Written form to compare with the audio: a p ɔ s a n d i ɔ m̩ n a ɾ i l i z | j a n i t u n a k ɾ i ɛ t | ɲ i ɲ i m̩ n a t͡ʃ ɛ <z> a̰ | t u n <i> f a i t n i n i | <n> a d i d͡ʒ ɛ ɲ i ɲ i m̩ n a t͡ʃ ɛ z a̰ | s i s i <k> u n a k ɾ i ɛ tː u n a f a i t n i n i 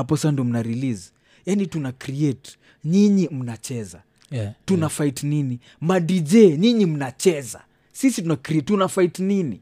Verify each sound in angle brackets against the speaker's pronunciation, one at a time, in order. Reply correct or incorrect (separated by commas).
correct, incorrect, incorrect, incorrect